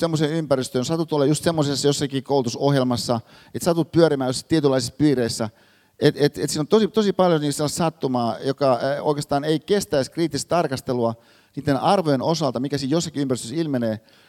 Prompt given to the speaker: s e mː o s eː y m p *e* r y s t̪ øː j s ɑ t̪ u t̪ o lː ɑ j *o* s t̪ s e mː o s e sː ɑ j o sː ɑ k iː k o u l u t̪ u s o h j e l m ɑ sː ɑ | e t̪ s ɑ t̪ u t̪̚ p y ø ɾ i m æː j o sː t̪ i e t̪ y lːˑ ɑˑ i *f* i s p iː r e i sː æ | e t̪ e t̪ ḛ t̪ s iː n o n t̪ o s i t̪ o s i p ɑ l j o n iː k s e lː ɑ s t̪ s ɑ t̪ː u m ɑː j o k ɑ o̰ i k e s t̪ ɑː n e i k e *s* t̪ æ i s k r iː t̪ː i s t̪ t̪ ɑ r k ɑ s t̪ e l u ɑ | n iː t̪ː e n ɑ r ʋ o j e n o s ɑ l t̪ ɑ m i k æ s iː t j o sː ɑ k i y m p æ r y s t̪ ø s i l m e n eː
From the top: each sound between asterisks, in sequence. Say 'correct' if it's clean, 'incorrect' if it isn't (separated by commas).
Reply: incorrect, incorrect, incorrect, correct